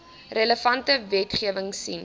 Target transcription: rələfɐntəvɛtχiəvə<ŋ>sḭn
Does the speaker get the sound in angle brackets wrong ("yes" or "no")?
no